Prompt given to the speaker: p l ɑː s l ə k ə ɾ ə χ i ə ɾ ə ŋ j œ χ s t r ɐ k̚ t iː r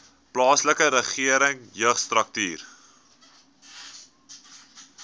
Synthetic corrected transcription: p l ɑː s l ə k ə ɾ ə χ i ə ɾ ə ŋ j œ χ s t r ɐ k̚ t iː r

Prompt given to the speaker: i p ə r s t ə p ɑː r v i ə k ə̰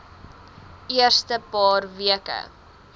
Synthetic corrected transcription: i ə r s t ə p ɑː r v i ə k ə̰

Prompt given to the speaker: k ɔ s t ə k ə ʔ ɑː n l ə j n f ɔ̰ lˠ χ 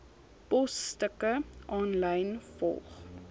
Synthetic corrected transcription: p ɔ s t ə k ə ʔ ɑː n l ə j n f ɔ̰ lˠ χ

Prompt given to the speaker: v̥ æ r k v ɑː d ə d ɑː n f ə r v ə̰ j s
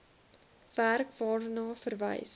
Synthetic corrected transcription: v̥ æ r k v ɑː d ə n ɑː f ə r v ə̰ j s

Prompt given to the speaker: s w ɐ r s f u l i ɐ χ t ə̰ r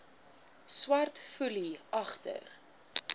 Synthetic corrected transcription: s w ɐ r t f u l i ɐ χ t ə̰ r

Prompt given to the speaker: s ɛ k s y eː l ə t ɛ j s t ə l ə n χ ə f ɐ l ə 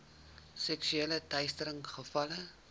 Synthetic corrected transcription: s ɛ k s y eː l ə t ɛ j s t ə ɾ ə ŋ χ ə f ɐ l ə

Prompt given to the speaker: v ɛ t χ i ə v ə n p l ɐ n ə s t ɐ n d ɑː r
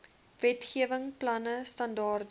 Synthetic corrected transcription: v ɛ t χ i ə v ə ŋ p l ɐ n ə s t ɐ n d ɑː r

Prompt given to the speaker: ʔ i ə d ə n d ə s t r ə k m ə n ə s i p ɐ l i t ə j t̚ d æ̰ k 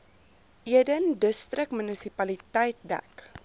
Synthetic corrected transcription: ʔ i ə d ə n d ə s t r ə k m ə n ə s i p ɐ l i t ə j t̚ d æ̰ k

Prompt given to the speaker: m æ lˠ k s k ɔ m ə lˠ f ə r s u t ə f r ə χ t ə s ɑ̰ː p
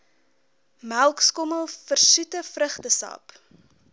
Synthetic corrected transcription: m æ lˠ k s k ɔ m ə lˠ f ə r s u t ə f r ə χ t ə s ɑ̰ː p

